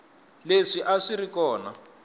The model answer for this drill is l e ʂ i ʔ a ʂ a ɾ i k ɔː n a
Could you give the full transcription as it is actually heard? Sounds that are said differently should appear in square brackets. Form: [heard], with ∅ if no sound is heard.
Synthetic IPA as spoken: l e ʂ i ʔ a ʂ [i] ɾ i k ɔː n a